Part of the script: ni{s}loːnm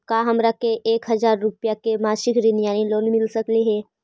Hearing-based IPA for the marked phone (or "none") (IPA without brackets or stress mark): none